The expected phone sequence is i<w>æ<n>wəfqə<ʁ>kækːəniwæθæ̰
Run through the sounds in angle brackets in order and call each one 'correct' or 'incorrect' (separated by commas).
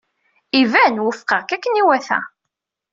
incorrect, correct, correct